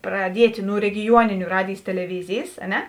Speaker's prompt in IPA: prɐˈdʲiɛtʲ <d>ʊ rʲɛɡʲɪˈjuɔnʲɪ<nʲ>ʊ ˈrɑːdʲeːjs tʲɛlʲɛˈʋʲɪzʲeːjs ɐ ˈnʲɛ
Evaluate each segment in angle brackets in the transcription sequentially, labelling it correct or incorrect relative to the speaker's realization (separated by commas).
incorrect, correct